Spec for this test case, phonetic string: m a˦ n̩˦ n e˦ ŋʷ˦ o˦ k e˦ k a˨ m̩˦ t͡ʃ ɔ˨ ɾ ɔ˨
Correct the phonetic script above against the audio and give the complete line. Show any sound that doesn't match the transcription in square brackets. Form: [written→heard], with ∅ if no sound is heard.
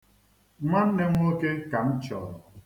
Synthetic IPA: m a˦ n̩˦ n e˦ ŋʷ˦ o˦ k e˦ k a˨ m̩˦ t͡ʃ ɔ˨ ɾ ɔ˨

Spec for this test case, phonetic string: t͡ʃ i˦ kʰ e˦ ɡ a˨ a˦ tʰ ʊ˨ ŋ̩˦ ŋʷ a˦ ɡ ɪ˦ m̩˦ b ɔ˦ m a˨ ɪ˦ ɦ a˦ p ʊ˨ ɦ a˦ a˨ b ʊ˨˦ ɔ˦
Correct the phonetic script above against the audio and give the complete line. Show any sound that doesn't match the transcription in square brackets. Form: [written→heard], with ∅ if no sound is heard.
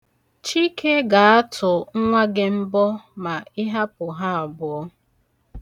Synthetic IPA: t͡ʃ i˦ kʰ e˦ ɡ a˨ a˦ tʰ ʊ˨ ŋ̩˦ ŋʷ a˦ ɡ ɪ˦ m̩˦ b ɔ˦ m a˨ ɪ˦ ɦ a˦ p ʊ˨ ɦ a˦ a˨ b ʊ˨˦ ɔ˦

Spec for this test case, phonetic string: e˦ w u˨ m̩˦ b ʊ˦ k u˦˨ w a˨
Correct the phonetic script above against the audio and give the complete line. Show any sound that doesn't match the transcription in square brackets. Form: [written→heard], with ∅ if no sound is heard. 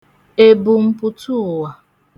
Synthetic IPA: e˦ [w→b] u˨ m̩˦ [b→p] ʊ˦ [k→t] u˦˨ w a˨

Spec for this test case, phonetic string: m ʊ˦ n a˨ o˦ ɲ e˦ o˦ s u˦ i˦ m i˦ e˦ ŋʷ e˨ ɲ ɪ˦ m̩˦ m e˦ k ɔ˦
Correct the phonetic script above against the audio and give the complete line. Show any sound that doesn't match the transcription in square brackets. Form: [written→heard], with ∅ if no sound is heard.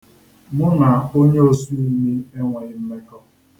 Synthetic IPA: m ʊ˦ n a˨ o˦ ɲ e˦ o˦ s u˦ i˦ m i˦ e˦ ŋʷ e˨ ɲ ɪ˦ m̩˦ m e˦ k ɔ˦

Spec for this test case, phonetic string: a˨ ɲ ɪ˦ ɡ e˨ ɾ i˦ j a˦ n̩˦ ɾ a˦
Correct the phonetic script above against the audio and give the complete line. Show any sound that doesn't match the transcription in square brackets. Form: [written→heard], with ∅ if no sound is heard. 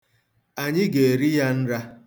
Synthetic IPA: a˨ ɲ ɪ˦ ɡ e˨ ɾ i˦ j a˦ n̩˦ ɾ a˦

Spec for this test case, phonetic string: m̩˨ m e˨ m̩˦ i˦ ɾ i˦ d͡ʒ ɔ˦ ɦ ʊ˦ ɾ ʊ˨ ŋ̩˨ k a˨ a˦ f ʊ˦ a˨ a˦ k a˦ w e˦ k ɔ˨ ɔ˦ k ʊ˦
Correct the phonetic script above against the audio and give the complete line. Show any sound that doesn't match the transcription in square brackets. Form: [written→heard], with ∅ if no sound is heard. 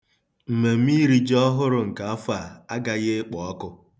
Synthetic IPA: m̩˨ m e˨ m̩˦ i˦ ɾ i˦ d͡ʒ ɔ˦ ɦ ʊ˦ ɾ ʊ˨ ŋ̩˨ k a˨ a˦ f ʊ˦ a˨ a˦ [k→ɡ] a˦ [w→ɣ] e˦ [k→k͡p] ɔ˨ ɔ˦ k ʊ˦

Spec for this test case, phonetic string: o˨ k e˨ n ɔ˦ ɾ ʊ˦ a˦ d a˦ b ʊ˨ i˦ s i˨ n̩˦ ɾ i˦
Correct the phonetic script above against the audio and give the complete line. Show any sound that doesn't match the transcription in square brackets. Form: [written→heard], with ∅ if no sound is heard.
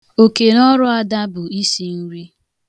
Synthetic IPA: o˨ k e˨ n ɔ˦ ɾ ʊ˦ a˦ d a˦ b ʊ˨ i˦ s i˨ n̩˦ ɾ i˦

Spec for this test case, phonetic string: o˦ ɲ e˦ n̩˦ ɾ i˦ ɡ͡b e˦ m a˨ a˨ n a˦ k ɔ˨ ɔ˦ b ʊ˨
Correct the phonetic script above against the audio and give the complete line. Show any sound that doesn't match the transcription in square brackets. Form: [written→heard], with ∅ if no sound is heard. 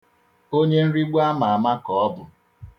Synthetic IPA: o˦ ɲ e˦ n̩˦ ɾ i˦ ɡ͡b [e˦→a˦] m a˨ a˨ [n→m] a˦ k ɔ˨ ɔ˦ b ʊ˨

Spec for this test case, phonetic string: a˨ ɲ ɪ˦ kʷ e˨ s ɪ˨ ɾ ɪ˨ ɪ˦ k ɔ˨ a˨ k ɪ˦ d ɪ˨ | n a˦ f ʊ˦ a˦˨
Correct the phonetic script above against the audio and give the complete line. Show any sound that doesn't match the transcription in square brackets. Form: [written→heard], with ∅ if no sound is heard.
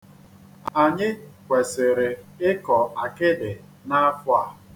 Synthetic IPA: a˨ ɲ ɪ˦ kʷ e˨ s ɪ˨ ɾ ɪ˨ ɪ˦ k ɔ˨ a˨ k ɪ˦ d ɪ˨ | n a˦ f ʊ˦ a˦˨

